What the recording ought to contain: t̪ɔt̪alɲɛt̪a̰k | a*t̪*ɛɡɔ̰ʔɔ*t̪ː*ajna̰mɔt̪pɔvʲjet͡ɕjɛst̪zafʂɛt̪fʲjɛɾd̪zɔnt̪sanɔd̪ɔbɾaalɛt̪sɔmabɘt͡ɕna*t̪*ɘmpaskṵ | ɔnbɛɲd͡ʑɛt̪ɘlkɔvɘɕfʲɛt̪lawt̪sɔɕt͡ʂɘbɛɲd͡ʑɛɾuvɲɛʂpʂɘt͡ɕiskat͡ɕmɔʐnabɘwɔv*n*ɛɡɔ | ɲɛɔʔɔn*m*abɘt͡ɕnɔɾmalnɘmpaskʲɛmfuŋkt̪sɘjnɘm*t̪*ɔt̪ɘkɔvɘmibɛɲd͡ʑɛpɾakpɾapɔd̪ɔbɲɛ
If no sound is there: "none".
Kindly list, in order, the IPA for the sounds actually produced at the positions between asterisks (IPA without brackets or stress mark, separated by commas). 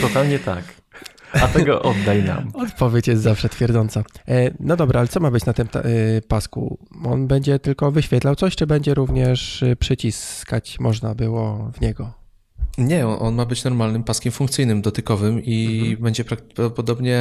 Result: t̪, d̪ː, t̪, ɲ, m, d̪